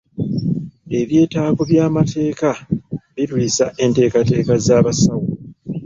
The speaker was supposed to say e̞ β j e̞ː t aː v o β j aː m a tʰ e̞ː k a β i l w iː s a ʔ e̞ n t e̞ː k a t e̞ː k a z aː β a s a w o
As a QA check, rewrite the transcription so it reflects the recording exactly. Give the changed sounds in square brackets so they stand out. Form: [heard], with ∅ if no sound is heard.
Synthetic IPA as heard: e̞ β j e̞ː t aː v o β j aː m a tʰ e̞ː k a β i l w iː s a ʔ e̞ n t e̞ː k a t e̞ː k a z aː β a s a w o